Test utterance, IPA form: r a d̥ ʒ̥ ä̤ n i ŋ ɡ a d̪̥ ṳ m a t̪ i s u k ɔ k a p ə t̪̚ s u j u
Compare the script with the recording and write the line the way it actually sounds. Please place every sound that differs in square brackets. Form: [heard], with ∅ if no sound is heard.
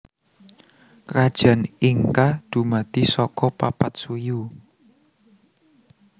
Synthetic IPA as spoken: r a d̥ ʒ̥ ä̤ n i ŋ [k] a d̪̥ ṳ m a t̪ i s [ɔ] k ɔ [p] a p [a] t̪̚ s u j u